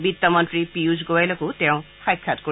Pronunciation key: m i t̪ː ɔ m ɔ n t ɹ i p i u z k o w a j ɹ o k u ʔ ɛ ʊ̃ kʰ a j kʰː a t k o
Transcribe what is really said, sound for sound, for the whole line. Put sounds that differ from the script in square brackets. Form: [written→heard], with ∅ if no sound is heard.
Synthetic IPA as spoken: [m→b] i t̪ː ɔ m ɔ n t ɹ i p i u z [k→ɡ] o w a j [ɹ→l] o k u [ʔ→t] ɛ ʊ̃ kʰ a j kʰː a t k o